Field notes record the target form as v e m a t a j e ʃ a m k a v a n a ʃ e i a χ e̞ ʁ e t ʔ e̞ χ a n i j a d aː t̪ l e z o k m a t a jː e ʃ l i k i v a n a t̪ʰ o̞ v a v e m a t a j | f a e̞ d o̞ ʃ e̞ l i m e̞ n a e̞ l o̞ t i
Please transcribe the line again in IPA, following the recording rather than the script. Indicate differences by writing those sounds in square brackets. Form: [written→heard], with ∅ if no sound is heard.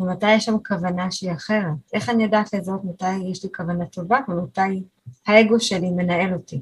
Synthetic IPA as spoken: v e m a t a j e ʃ a m k a v a n a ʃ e i a χ e̞ ʁ e t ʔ e̞ χ a n i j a d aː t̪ l e z o [k→t] m a t a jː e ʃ l i k [i→a] v a n a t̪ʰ o̞ v a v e m a t a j | [f→h] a e̞ [d→ɡ] o̞ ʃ e̞ l i m e̞ n a e̞ l o̞ t i